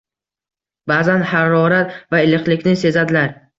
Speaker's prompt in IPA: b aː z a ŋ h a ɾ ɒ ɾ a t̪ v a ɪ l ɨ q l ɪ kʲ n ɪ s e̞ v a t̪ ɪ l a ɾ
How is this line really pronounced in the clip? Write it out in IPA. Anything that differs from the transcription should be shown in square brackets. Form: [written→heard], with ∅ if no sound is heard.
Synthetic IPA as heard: b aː z a [ŋ→n] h a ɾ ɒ ɾ a t̪ v a ɪ l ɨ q l ɪ kʲ n ɪ s e̞ [v→z] a [t̪→d̪] ɪ l a ɾ